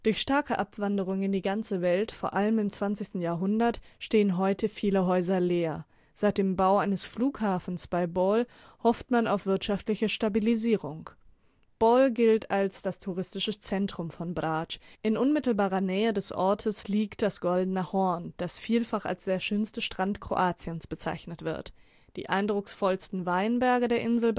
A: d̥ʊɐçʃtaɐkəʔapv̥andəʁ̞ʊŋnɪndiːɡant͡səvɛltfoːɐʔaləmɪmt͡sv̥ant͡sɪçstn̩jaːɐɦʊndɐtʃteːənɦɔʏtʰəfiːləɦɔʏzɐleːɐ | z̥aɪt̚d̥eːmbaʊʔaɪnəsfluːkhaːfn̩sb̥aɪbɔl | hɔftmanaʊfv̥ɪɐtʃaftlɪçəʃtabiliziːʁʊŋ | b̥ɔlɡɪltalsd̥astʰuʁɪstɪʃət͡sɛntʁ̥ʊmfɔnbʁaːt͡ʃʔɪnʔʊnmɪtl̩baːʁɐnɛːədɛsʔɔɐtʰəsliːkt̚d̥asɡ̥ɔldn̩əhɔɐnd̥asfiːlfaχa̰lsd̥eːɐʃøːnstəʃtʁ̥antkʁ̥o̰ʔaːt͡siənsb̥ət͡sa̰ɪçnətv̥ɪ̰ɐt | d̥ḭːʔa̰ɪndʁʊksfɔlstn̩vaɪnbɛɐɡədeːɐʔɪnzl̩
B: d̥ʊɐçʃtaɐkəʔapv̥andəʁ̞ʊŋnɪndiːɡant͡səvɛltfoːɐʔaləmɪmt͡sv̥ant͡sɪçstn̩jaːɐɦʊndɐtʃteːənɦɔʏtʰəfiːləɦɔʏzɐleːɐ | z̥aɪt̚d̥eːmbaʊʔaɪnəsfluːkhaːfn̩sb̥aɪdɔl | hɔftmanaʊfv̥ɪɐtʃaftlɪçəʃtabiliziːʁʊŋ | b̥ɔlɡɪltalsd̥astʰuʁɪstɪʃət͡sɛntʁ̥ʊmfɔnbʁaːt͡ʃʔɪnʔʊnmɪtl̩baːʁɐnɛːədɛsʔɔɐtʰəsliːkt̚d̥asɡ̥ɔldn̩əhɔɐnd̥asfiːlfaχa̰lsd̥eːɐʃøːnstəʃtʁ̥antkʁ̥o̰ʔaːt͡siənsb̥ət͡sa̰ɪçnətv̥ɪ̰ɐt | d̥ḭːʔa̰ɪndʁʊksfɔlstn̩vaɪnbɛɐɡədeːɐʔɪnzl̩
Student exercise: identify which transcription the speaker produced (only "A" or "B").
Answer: A